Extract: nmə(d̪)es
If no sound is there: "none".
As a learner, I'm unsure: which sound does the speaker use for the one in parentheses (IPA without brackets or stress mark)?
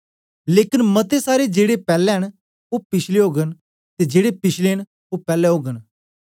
t̪